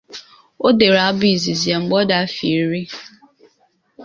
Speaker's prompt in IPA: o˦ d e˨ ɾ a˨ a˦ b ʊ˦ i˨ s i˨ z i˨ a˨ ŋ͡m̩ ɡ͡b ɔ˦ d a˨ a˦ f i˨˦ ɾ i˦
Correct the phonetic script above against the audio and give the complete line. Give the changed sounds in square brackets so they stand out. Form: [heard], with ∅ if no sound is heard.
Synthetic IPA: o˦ d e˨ ɾ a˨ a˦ b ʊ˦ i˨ [z] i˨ z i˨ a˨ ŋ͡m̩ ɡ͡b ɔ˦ d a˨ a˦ f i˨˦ ɾ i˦